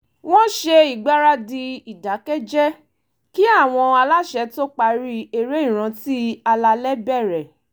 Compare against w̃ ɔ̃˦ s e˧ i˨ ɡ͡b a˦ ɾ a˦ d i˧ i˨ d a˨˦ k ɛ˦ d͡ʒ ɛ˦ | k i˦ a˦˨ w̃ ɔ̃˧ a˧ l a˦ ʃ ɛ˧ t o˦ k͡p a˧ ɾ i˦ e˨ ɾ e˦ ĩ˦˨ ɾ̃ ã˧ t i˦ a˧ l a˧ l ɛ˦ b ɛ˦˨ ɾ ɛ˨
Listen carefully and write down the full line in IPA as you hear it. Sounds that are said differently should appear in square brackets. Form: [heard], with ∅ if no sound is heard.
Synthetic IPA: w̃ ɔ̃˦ [ʃ] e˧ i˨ ɡ͡b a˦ ɾ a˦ d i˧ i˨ d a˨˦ k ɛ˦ d͡ʒ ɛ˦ | k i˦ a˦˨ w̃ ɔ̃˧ a˧ l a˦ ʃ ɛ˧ t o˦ k͡p a˧ ɾ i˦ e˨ ɾ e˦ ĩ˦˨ ɾ̃ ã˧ t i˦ a˧ l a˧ l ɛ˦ b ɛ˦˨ ɾ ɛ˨